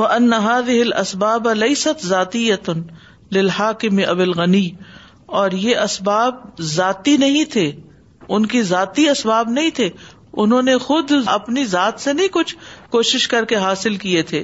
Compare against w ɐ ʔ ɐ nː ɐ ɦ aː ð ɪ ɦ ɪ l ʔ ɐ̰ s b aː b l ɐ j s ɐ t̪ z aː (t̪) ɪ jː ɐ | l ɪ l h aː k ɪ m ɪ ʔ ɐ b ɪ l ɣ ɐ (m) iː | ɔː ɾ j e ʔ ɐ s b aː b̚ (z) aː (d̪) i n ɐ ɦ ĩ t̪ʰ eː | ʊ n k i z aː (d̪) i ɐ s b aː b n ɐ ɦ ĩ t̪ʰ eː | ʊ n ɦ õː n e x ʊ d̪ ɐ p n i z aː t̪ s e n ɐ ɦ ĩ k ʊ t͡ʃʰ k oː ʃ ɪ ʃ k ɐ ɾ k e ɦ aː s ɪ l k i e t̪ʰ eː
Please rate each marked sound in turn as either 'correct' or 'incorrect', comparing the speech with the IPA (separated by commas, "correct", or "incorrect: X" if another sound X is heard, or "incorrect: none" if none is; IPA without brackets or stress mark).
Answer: correct, incorrect: n, correct, incorrect: t̪, incorrect: t̪